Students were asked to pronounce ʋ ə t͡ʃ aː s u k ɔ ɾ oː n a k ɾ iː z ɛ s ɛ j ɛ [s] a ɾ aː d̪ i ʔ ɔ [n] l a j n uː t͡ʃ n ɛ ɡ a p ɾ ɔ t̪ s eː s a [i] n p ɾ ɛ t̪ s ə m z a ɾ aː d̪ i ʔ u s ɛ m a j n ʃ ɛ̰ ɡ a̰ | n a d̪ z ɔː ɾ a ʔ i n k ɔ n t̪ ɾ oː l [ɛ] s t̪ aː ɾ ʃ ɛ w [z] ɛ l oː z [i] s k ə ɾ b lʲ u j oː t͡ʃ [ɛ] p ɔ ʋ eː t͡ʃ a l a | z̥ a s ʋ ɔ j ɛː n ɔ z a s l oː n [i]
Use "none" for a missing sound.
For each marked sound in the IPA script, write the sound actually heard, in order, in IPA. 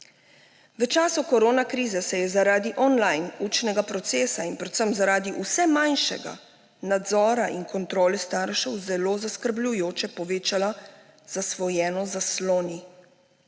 z, n, i, ɛ, z, a, ɛ, i

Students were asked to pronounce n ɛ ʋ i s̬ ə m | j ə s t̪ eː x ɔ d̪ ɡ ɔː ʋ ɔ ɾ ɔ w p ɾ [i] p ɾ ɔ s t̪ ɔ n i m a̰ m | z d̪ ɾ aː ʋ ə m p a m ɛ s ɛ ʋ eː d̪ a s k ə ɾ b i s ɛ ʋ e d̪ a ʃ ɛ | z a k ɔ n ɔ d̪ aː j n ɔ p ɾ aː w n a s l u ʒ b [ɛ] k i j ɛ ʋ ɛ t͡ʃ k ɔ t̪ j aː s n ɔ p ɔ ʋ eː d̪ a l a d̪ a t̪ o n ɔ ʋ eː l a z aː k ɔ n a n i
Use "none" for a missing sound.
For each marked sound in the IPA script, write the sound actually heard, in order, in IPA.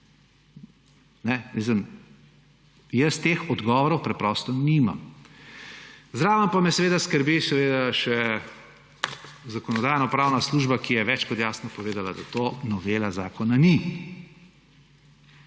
ɛ, a

